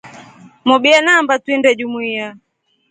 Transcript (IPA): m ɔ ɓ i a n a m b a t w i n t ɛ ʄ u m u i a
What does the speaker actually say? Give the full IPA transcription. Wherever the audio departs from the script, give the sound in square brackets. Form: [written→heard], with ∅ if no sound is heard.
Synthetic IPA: m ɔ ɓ i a n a m b a t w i n [t→d] ɛ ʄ u m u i a